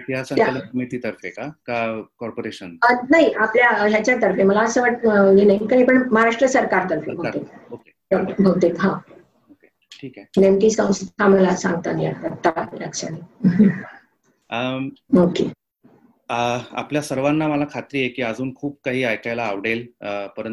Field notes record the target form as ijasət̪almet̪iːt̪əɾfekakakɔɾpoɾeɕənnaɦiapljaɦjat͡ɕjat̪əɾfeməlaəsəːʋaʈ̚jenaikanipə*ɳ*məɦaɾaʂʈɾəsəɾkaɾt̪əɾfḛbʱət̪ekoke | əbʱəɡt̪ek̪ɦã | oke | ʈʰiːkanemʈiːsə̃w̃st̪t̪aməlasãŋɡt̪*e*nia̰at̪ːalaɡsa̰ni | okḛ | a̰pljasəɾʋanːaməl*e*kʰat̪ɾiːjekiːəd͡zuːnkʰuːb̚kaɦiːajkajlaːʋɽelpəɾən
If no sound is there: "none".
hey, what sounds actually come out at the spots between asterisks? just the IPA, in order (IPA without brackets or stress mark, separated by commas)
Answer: ɳ, a, a